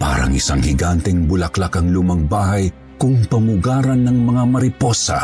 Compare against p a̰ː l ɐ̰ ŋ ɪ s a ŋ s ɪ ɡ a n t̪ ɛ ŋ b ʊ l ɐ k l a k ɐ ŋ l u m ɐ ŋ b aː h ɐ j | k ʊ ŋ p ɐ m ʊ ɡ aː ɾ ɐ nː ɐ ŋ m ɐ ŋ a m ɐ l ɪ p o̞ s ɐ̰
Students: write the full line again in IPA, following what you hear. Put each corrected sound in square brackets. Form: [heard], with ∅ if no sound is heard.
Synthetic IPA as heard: p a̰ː [ɾ] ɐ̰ ŋ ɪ s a ŋ [h] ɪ ɡ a n t̪ ɛ ŋ b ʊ l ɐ k l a k ɐ ŋ l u m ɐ ŋ b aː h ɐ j | k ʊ ŋ p ɐ m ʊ ɡ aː ɾ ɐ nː ɐ ŋ m ɐ ŋ a m ɐ [ɾ] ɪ p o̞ s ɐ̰